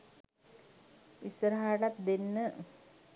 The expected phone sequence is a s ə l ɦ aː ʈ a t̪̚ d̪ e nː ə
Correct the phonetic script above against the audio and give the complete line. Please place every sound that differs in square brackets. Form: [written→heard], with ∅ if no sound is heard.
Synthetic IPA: [a→i] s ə [l→ɾ] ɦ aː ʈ a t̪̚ d̪ e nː ə